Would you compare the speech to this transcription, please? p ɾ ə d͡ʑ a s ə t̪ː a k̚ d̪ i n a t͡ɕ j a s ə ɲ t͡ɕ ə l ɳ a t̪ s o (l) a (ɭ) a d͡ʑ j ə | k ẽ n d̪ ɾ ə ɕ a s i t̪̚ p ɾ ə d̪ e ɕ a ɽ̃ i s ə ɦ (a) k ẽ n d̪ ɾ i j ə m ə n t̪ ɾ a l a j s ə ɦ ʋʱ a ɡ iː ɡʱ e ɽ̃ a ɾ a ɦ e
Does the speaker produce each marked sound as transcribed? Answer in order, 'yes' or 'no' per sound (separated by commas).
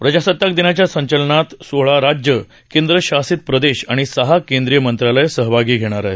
no, no, yes